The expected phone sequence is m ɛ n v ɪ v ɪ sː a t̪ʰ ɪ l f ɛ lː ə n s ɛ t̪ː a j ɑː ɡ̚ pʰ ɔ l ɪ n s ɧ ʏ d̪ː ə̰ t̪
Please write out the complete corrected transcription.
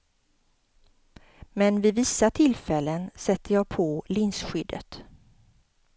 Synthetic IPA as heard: m ɛ n v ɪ v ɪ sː a t̪ʰ ɪ l f ɛ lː ə n s ɛ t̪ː ə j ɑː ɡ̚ pʰ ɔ l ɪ n s ɧ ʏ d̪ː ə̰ t̪